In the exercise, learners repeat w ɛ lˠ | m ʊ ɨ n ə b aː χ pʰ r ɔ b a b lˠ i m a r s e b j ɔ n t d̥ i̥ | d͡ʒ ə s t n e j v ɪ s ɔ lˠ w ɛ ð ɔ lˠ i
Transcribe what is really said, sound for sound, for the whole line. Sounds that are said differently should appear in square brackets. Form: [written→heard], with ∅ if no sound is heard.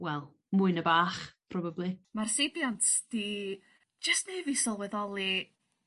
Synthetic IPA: w ɛ lˠ | m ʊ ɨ n ə b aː χ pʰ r ɔ b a b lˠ i m a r s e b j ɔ n t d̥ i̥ | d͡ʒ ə s t n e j v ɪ s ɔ lˠ w ɛ ð ɔ lˠ i